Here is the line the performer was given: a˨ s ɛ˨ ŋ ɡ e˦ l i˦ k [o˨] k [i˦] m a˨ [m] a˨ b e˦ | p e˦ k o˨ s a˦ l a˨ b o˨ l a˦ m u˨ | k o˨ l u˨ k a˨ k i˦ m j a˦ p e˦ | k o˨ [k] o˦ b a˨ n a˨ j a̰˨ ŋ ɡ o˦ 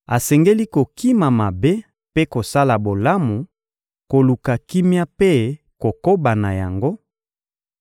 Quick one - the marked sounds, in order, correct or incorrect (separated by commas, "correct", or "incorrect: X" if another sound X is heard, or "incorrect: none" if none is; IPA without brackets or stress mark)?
correct, correct, correct, correct